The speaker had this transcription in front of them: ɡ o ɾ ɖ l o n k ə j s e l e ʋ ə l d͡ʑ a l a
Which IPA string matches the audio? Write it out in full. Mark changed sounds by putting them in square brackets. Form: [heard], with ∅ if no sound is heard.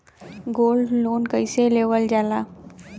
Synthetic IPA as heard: ɡ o [l] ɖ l o n k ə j s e l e ʋ ə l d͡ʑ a l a